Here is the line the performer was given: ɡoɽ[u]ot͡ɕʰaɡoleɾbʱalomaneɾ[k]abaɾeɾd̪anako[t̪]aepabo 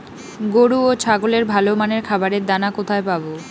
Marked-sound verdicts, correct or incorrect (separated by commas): correct, incorrect, incorrect